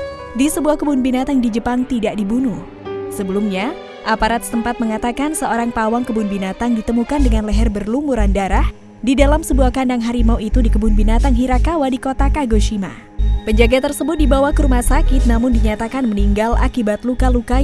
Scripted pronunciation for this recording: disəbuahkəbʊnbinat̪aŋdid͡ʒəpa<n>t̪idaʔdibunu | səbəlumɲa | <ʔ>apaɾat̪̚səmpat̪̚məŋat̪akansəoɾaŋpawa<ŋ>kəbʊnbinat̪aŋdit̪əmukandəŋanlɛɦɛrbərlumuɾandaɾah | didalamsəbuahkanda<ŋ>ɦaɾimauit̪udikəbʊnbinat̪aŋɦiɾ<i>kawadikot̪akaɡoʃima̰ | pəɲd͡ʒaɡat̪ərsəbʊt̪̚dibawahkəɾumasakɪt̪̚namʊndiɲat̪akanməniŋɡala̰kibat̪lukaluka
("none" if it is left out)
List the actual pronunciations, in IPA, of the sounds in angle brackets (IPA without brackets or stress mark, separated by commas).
ŋ, ʔ, ŋ, ŋ, a